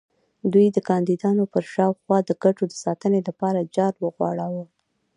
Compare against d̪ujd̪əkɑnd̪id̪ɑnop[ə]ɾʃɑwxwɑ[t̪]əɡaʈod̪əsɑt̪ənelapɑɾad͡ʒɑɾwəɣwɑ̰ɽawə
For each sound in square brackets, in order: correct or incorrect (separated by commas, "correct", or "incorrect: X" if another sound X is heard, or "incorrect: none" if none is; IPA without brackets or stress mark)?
correct, incorrect: d̪